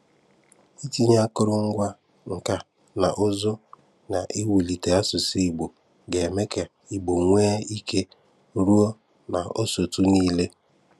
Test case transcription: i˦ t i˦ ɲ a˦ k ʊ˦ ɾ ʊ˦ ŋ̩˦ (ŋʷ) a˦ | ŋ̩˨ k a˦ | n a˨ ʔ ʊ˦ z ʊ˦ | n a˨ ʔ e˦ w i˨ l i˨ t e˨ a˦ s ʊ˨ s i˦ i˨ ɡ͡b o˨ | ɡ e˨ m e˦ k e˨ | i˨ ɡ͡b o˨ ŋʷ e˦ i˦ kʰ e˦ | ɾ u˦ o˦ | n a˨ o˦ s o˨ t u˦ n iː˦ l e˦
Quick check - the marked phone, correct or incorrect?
incorrect